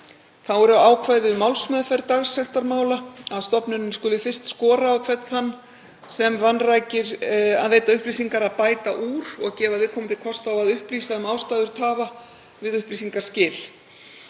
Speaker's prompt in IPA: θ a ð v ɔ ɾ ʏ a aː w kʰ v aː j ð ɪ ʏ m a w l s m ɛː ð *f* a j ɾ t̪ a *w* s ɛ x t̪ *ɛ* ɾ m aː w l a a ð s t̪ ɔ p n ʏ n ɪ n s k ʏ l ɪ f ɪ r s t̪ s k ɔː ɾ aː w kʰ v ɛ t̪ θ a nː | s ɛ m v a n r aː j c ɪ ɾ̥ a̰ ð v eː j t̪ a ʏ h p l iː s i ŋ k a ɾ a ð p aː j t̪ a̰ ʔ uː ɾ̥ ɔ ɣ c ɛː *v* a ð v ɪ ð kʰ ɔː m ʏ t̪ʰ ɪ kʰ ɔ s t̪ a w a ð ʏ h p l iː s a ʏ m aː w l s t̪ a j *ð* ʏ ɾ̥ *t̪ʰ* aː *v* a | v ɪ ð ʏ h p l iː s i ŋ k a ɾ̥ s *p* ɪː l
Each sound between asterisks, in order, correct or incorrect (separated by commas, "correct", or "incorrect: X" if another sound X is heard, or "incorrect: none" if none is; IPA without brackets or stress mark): correct, incorrect: ɣ, incorrect: a, correct, correct, correct, correct, incorrect: c